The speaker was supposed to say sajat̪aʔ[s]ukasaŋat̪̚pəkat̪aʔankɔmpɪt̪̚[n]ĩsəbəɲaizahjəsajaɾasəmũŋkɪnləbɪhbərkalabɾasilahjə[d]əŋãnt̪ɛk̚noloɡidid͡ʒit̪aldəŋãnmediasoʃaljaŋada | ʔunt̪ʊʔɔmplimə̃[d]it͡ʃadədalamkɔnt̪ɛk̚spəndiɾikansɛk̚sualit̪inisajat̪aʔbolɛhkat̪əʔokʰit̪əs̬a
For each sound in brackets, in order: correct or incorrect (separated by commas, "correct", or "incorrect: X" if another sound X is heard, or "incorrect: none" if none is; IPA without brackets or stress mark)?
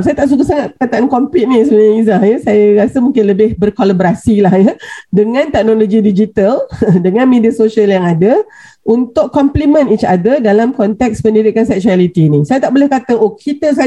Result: correct, correct, correct, incorrect: n